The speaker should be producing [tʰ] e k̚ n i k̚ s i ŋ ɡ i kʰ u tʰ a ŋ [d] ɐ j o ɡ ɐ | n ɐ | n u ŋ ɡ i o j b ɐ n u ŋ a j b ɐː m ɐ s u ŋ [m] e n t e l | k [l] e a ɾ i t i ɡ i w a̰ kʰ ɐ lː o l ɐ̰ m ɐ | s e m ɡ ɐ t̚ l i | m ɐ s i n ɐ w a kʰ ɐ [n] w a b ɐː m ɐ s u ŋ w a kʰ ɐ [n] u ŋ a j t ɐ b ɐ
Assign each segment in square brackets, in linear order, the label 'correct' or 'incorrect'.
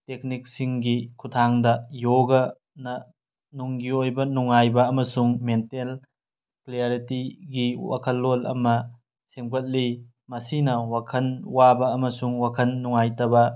incorrect: t, correct, correct, correct, correct, incorrect: nː

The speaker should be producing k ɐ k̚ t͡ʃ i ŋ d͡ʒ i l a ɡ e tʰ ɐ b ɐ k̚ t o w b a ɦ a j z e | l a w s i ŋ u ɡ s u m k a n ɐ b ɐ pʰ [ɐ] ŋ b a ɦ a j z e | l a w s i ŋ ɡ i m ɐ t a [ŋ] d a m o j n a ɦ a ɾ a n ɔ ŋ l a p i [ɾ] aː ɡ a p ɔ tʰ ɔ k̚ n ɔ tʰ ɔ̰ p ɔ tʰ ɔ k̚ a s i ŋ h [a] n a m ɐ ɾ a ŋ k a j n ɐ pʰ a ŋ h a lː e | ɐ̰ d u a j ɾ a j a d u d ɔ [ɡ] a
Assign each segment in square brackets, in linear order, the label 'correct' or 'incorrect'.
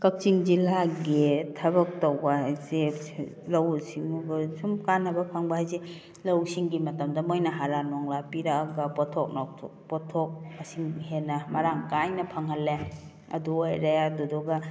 incorrect: a, incorrect: m, correct, incorrect: e, correct

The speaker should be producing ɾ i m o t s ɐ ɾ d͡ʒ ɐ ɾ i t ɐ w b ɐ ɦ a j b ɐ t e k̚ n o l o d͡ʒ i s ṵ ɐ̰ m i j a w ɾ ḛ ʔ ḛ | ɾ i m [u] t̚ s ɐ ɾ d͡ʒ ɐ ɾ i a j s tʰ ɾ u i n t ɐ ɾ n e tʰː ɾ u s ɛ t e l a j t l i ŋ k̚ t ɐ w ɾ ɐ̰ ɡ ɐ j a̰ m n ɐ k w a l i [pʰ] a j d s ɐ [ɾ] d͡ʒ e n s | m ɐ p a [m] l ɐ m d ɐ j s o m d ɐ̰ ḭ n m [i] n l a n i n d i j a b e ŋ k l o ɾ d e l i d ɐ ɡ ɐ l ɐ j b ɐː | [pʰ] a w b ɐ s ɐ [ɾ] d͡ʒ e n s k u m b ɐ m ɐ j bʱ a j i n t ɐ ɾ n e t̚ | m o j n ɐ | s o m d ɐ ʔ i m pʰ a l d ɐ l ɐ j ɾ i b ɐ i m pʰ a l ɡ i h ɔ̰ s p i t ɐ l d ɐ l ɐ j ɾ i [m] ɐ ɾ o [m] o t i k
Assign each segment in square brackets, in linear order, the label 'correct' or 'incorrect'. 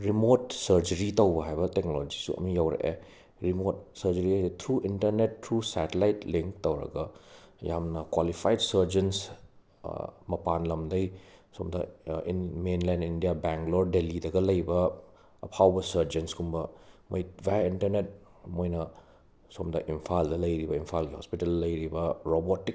incorrect: o, correct, correct, incorrect: n, incorrect: e, correct, correct, incorrect: b, incorrect: b

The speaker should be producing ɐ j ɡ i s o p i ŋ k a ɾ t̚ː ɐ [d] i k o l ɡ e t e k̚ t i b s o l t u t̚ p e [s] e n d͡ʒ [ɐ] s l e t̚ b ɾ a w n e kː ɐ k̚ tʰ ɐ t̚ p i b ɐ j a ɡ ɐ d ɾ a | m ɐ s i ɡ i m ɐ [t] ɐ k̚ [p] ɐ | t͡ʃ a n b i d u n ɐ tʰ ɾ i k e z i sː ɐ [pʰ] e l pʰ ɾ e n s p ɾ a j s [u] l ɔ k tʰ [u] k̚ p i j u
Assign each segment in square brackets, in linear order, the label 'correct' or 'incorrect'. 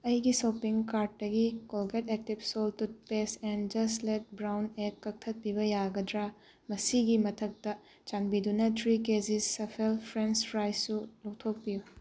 incorrect: ɡ, correct, correct, incorrect: tʰ, incorrect: t, correct, correct, incorrect: o

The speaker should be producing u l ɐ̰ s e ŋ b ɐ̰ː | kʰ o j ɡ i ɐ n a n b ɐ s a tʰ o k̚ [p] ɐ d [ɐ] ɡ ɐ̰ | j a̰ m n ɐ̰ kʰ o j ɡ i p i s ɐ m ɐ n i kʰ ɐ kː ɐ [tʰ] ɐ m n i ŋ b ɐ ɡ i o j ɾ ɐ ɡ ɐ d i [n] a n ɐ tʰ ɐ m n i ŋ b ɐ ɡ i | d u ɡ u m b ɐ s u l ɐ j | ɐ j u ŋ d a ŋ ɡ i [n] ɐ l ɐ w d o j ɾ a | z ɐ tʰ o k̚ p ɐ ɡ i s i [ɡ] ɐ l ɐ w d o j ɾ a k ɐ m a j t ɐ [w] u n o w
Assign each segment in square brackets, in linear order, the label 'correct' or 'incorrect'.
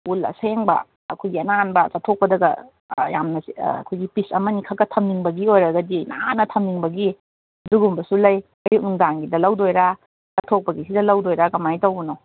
correct, correct, correct, correct, incorrect: d, incorrect: d, correct

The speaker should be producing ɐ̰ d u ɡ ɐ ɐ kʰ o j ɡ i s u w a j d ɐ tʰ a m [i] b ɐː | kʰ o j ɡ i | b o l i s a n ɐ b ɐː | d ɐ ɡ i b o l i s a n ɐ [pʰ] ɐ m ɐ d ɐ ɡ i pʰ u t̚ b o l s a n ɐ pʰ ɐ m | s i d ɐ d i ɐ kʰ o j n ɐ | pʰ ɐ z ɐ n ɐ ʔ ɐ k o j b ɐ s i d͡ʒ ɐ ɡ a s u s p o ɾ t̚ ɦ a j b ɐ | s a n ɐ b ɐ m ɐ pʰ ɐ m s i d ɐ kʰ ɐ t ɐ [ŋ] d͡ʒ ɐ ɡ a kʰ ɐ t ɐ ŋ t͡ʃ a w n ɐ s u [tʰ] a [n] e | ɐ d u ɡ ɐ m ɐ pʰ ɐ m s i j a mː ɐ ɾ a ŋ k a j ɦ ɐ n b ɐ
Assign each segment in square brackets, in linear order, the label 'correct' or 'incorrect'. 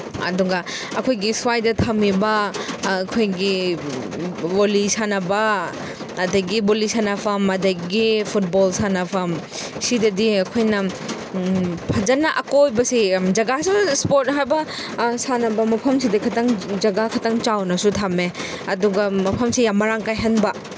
correct, correct, correct, correct, incorrect: m

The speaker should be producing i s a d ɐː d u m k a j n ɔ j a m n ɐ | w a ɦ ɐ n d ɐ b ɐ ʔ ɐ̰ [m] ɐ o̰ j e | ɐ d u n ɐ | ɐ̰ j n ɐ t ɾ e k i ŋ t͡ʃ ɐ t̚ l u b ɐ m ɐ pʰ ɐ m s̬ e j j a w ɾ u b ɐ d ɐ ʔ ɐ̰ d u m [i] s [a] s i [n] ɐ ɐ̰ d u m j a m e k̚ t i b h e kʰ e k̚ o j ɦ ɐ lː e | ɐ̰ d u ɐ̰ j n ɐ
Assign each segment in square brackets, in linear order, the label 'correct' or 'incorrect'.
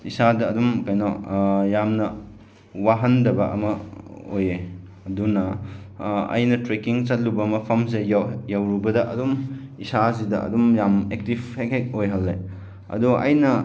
correct, correct, correct, incorrect: d

